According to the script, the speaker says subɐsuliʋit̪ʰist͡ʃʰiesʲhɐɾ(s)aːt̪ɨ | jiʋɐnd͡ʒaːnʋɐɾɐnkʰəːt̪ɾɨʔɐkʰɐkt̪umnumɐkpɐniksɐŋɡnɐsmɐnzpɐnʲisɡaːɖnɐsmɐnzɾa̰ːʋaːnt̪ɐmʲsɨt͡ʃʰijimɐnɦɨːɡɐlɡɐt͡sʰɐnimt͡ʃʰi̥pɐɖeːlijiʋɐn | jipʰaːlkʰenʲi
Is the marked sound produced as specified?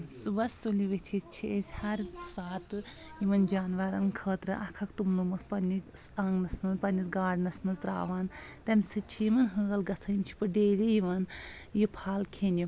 yes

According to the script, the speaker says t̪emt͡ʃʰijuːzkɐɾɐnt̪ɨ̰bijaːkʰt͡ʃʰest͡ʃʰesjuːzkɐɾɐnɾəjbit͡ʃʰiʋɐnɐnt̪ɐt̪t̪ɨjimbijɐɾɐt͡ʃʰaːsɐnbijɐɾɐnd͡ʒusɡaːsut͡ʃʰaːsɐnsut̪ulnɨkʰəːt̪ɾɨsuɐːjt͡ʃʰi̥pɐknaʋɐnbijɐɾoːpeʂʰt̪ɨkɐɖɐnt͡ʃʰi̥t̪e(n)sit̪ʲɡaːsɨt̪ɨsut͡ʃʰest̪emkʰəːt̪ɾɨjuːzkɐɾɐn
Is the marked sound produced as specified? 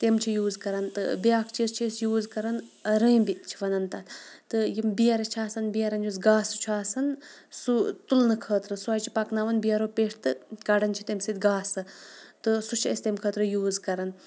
no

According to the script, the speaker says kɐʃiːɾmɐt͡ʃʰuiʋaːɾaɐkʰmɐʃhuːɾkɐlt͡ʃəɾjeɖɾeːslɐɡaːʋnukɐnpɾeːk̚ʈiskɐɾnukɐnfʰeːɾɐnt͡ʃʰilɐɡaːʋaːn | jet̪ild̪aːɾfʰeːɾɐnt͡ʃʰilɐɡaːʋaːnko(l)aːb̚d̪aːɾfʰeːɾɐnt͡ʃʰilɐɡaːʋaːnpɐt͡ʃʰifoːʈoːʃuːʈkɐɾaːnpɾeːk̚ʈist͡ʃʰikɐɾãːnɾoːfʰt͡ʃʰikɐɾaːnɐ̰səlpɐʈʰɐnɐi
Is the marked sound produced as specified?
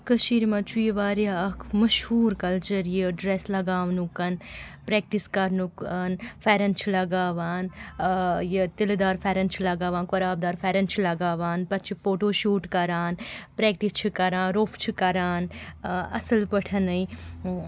no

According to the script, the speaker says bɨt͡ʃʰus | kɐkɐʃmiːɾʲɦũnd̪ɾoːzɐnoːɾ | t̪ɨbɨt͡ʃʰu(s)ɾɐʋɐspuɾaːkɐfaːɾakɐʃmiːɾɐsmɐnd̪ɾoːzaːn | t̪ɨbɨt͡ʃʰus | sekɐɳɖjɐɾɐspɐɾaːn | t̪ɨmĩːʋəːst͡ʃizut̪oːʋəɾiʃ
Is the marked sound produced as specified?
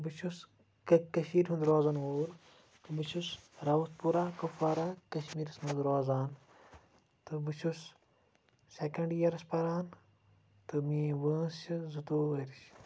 yes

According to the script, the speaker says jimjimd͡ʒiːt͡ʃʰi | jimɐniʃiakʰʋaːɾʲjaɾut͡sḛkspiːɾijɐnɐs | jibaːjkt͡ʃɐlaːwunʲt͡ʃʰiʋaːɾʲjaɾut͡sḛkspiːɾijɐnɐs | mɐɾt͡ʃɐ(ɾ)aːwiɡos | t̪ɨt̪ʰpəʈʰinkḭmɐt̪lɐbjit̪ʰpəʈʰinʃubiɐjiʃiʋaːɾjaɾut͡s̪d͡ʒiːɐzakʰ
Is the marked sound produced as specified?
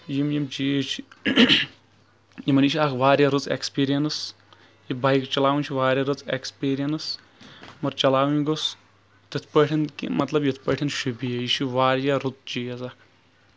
no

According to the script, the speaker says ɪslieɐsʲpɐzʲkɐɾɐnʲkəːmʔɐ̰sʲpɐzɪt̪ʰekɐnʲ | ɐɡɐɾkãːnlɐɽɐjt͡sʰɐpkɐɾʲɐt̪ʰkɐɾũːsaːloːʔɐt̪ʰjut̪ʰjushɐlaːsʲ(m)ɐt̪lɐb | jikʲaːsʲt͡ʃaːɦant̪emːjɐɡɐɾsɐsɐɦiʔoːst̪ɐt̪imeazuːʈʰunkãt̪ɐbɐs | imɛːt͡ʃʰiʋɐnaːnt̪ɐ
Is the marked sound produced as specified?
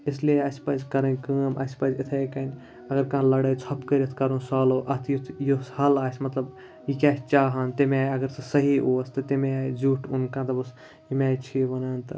yes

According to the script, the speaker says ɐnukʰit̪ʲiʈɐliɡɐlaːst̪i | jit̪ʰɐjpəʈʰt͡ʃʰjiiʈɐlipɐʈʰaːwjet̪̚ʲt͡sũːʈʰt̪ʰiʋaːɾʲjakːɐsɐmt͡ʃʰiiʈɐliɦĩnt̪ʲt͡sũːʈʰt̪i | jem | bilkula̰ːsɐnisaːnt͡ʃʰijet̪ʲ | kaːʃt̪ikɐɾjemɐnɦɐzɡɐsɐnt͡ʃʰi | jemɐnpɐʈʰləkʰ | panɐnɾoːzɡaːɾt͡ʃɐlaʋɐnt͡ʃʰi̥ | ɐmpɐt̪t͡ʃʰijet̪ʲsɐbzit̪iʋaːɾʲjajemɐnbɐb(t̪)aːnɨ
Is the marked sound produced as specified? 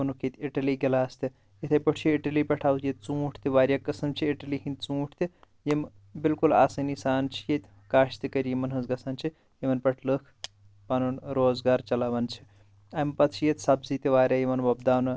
no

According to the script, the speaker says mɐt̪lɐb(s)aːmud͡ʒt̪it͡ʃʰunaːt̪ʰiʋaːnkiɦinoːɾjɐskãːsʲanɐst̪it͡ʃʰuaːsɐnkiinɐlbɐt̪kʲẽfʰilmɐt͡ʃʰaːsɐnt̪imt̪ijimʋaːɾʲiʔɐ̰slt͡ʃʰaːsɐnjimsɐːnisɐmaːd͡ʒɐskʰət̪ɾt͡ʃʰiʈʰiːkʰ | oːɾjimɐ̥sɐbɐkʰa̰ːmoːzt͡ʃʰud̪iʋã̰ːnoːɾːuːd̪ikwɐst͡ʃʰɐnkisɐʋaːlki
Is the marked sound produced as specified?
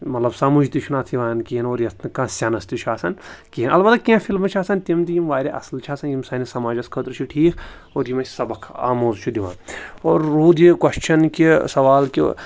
yes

